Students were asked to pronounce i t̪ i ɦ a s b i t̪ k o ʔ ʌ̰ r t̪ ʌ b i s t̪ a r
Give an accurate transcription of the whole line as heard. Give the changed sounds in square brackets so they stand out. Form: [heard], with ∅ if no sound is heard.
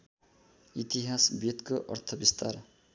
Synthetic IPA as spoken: i t̪ i ɦ a s b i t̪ k o ʔ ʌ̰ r [t̪ʰ] ʌ b i s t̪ a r